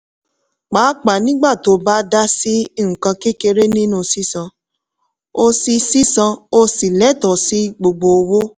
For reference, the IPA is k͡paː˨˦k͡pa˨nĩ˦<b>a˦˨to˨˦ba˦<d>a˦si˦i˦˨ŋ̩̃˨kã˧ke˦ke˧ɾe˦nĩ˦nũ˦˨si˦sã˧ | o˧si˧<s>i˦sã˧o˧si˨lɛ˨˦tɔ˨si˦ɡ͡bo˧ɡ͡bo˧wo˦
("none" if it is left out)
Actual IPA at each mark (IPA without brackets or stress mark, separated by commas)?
ɡ͡b, d, s